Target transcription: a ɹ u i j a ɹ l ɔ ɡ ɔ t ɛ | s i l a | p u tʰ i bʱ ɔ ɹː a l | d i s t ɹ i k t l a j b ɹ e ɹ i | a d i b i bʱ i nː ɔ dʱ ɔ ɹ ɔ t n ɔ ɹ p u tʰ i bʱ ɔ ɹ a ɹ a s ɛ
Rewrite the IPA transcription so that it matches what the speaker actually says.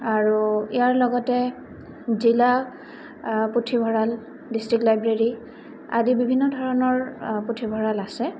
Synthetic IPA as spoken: a ɹ u i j a ɹ l ɔ ɡ ɔ t ɛ | z i l a | p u tʰ i bʱ ɔ ɹ a l | d i s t ɹ i k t l a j b ɹ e ɹ i | a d i b i bʱ i nː ɔ dʱ ɔ ɹ ɔ n ɔ ɹ p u tʰ i bʱ ɔ ɹ a l a s ɛ